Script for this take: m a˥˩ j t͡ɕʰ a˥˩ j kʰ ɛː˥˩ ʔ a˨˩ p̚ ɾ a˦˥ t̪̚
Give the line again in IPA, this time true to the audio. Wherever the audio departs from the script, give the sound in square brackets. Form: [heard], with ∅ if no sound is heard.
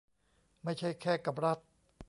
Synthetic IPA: m a˥˩ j t͡ɕʰ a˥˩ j kʰ ɛː˥˩ [k] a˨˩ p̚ ɾ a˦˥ t̪̚